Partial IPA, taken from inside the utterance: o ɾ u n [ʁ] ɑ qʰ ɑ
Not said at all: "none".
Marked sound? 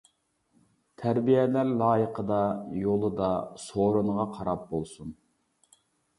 ʁ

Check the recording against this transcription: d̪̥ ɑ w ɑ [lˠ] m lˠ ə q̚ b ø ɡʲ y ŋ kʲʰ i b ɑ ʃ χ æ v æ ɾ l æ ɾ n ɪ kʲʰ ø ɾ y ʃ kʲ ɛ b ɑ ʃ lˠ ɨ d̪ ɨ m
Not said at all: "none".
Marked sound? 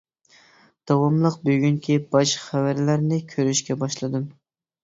none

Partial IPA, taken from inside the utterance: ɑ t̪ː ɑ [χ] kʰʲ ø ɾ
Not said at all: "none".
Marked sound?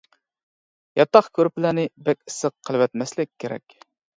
χ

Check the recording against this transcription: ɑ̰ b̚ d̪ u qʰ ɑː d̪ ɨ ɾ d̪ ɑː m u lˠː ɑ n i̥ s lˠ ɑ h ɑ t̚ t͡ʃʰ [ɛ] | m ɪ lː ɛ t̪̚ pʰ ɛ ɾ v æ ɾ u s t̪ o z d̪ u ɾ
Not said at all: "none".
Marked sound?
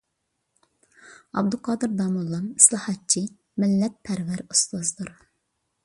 i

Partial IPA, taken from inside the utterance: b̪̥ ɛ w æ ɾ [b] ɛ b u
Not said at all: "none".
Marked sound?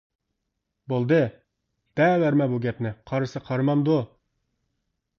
m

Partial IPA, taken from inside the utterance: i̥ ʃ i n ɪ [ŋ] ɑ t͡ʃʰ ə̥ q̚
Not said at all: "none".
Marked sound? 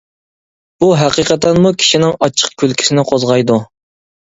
ŋ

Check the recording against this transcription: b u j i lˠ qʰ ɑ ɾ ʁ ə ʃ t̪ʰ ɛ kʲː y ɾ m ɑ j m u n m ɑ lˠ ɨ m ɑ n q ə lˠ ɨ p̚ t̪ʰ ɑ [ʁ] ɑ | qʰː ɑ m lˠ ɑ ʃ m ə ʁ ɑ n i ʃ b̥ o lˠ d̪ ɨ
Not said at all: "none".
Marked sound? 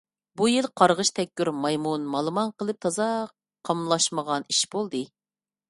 z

